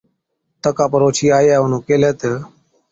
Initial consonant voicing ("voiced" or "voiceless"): voiceless